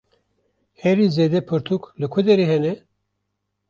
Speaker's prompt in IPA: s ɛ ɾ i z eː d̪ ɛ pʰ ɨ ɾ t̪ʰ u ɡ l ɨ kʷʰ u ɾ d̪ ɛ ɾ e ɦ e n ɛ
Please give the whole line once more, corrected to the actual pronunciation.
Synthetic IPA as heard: h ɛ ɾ i z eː d̪ ɛ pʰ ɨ ɾ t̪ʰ u k l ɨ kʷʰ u d̪ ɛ ɾ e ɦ ɛ n ɛ